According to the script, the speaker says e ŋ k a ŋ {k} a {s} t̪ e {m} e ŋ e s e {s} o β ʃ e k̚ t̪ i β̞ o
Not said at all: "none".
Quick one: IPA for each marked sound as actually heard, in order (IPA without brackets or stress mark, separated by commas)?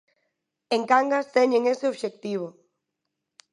ɡ, s, ɲ, none